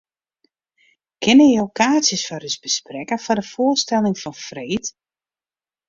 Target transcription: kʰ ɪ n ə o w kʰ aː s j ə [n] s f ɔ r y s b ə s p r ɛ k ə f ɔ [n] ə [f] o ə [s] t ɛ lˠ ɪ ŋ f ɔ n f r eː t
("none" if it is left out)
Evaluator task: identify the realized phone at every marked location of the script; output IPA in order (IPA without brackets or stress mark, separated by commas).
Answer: none, d, f, s